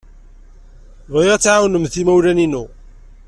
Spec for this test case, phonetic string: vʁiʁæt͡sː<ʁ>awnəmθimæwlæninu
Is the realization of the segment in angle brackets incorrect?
yes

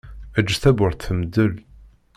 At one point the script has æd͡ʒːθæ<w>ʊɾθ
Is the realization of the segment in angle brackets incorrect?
yes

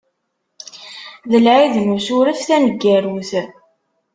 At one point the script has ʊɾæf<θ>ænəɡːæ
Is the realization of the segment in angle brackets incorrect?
no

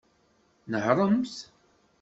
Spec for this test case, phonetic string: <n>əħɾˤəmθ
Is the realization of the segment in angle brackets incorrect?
no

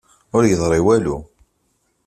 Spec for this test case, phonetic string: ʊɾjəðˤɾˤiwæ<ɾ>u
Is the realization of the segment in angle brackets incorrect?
yes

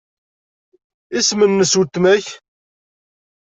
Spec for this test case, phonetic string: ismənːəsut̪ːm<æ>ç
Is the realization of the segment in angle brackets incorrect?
no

